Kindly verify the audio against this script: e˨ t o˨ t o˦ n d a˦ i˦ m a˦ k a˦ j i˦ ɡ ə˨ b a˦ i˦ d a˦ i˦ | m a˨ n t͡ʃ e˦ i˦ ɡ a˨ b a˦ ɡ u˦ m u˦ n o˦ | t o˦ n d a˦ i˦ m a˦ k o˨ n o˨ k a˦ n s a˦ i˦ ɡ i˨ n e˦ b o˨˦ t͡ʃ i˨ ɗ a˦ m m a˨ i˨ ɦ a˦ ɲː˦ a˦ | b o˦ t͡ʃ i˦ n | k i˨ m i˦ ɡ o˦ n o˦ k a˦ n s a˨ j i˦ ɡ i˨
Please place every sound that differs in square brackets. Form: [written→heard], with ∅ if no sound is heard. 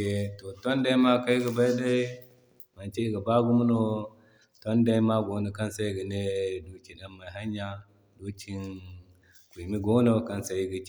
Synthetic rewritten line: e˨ t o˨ t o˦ n d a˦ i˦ m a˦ k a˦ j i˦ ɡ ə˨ b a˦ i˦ d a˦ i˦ | m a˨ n t͡ʃ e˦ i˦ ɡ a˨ b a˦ ɡ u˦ m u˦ n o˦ | t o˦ n d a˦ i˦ m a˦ [k→ɡ] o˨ n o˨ k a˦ n s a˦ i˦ ɡ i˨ n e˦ [b→d] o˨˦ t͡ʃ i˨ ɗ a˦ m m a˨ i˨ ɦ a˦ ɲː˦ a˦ | [b→d] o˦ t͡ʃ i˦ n | k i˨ m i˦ ɡ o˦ n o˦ k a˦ n s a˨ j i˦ ɡ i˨

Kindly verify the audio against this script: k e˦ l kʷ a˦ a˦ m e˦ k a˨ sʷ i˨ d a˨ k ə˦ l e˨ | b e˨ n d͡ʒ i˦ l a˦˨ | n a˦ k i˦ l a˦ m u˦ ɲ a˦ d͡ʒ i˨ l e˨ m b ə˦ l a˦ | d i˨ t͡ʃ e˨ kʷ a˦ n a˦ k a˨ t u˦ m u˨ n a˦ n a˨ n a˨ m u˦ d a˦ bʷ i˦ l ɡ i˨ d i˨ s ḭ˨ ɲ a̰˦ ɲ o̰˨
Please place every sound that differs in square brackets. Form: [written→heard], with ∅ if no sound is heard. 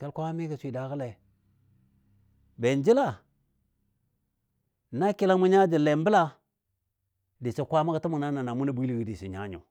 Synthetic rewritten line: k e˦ l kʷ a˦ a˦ m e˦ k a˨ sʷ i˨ d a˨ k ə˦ l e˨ | b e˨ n d͡ʒ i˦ l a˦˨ | n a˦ k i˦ l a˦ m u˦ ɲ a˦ d͡ʒ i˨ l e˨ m b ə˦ l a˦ | d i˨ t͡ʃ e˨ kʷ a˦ [n→m] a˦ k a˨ t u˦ m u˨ n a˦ n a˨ n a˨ m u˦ [d→n] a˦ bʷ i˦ l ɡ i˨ d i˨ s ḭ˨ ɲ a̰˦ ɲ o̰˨

